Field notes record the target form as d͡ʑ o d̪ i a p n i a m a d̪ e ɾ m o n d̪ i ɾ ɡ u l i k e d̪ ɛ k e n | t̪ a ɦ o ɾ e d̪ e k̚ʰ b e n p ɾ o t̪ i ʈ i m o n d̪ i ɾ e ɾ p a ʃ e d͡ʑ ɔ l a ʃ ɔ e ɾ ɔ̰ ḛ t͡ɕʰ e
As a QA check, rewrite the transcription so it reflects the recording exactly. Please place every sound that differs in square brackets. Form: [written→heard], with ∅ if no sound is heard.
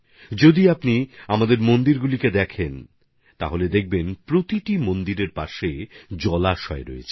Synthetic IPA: d͡ʑ o d̪ i a p n i a m a d̪ e ɾ m o n d̪ i ɾ ɡ u l i k e d̪ ɛ [k→kʰ] e n | t̪ a ɦ o [ɾ→l] e d̪ e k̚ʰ b e n p ɾ o t̪ i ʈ i m o n d̪ i ɾ e ɾ p a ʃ e d͡ʑ ɔ l a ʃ ɔ e ɾ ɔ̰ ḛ t͡ɕʰ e

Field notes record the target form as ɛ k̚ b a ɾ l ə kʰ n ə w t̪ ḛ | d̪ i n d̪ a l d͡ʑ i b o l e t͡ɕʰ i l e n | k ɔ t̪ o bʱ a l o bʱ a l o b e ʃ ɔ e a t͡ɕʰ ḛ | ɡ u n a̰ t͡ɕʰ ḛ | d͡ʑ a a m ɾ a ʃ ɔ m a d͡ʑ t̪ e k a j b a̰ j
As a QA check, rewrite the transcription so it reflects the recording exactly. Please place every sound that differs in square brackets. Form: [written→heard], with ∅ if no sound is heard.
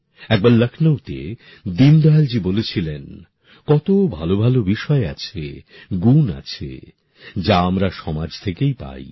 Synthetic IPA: ɛ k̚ b a ɾ l ə kʰ n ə w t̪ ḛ | d̪ i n d̪ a l d͡ʑ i b o l e t͡ɕʰ i l e n | k ɔ t̪ o bʱ a l o bʱ a l o b [e→i] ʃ ɔ e a t͡ɕʰ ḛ | ɡ u n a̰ t͡ɕʰ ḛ | d͡ʑ a a m ɾ a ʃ ɔ m a d͡ʑ [t̪→t̪ʰ] e k [a→e] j [b→p] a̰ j

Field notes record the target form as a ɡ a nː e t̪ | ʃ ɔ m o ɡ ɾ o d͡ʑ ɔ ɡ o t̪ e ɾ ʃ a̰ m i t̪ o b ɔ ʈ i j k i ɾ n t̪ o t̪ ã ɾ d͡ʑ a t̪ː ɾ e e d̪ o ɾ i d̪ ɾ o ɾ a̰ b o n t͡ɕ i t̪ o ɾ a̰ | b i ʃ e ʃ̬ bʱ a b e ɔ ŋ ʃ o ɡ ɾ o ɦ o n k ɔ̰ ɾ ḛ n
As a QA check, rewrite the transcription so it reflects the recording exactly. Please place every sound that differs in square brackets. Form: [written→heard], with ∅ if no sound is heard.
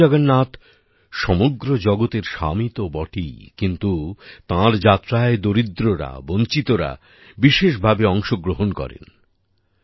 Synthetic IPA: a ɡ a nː [e→a] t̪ | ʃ ɔ m o ɡ ɾ o d͡ʑ ɔ ɡ o t̪ e ɾ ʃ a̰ m i t̪ o b ɔ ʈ i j k i [ɾ→∅] n t̪ [o→u] t̪ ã ɾ d͡ʑ a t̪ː ɾ [e→a] e d̪ o ɾ i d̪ ɾ o ɾ a̰ b o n t͡ɕ i t̪ o ɾ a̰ | b i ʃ e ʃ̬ bʱ a b e ɔ ŋ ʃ o ɡ ɾ o ɦ o n k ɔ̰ ɾ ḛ n

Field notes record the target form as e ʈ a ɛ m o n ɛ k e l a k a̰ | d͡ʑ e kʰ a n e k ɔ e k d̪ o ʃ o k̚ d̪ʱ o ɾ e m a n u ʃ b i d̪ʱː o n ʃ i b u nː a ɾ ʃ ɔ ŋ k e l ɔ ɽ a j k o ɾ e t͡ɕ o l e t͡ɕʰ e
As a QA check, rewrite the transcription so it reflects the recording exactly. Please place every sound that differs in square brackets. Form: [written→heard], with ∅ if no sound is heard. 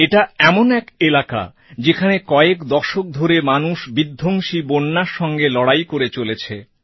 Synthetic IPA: e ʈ a ɛ m o n ɛ k e l a k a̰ | d͡ʑ e kʰ a n e k ɔ e k d̪ [o→ɔ] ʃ o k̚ d̪ʱ o ɾ e m a n u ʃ b i d̪ʱː o [n→ŋ] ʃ i b [u→o] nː a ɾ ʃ ɔ ŋ [k→ɡ] e l ɔ ɽ a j k o ɾ e t͡ɕ o l e t͡ɕʰ e

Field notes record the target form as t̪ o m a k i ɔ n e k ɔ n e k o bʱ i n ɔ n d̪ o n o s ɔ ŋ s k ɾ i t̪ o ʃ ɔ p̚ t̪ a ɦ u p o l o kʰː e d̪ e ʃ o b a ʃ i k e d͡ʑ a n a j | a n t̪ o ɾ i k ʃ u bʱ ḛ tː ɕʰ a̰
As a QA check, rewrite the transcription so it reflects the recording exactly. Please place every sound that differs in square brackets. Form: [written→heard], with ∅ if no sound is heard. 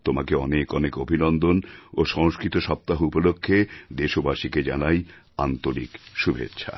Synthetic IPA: t̪ o m a k [i→e] ɔ n e k ɔ n e k o bʱ i n ɔ n d̪ o n o [s→ʃ] ɔ ŋ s k ɾ i t̪ o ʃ ɔ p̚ t̪ a ɦ u p o l o kʰː e d̪ e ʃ o b a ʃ i k e d͡ʑ a n a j | a n t̪ o ɾ i k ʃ u bʱ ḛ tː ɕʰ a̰

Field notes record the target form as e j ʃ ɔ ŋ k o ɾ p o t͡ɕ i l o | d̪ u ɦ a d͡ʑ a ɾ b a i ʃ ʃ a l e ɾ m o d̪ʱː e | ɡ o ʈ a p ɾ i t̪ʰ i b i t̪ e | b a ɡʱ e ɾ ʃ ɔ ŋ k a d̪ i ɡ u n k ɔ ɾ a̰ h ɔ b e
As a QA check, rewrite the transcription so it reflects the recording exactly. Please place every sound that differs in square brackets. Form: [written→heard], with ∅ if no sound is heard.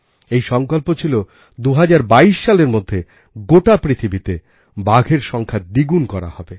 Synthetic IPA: e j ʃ ɔ ŋ k o [ɾ→l] p o [t͡ɕ→t͡ɕʰ] i l o | d̪ u ɦ a d͡ʑ a ɾ b a i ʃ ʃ a l e ɾ m o d̪ʱː e | ɡ o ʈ a p ɾ i t̪ʰ i b i t̪ e | b a ɡʱ e ɾ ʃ ɔ ŋ [k→kʰ] a d̪ i ɡ u n k ɔ ɾ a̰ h ɔ b e

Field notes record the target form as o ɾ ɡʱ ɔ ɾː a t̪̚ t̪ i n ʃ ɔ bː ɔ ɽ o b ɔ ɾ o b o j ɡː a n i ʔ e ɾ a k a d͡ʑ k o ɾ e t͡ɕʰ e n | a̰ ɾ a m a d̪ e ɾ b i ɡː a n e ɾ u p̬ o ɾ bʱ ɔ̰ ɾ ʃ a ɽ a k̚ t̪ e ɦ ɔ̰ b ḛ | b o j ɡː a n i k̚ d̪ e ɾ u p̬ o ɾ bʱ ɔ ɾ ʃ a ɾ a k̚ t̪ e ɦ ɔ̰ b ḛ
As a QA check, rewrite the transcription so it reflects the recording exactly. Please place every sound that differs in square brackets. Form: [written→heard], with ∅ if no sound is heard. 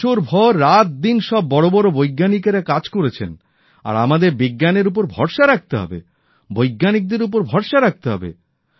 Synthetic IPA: o ɾ [ɡʱ→bʱ] ɔ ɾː a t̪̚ [t̪→d̪] i n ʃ ɔ bː ɔ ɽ o b ɔ ɾ o b o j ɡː a n i [ʔ→k] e ɾ a k a d͡ʑ k o ɾ e t͡ɕʰ e n | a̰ ɾ a m a d̪ e ɾ b i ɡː a n e ɾ u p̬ o ɾ bʱ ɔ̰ ɾ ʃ a [ɽ→ɾ] a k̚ t̪ e ɦ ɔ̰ b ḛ | b o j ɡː a n i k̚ d̪ e ɾ u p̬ o ɾ bʱ ɔ ɾ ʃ a ɾ a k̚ t̪ e ɦ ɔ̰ b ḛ

